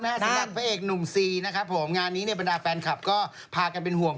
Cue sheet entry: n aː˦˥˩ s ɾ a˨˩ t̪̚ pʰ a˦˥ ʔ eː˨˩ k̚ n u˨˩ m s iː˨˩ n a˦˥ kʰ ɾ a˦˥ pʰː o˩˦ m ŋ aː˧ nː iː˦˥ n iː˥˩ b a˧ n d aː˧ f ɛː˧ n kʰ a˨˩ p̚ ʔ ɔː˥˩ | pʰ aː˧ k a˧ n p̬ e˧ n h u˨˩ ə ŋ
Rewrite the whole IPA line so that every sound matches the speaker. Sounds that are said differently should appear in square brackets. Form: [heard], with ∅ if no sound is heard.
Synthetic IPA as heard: n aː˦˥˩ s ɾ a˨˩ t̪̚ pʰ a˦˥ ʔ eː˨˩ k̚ n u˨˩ m s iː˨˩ n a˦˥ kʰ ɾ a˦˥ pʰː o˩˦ m ŋ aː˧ nː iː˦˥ n [i˥˩] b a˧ n d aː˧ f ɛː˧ n kʰ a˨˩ p̚ [k] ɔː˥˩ | pʰ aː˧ k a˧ n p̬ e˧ n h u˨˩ ə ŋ